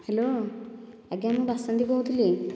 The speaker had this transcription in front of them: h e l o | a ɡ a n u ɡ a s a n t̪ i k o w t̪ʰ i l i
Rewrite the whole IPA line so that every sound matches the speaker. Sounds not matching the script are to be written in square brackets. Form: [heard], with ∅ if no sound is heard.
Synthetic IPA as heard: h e l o | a ɡ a [m] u [b] a s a n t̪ i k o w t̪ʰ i l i